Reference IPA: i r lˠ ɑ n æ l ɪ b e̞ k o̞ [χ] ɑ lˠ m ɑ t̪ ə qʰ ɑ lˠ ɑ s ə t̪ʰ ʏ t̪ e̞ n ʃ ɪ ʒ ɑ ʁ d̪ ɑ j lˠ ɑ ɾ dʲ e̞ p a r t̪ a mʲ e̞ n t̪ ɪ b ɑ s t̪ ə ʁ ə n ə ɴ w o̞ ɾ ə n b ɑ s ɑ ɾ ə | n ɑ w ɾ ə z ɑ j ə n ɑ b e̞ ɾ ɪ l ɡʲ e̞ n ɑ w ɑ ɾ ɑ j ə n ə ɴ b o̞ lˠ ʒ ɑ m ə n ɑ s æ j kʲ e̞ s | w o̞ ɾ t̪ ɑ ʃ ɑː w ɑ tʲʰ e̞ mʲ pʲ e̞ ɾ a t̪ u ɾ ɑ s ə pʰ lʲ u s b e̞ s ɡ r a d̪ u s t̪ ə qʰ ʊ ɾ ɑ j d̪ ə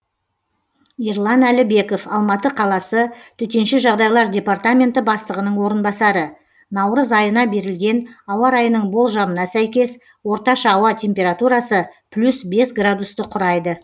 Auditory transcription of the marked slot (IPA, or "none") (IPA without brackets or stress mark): f